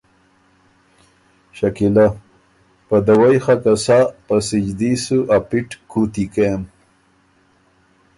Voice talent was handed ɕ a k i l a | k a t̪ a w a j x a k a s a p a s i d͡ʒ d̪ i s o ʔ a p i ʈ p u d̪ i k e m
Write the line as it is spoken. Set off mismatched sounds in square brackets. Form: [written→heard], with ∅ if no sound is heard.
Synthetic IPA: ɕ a k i l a | [k→p] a [t̪→d̪] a w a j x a k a s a p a s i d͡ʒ d̪ i s [o→u] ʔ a p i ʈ [p→k] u [d̪→t̪] i k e m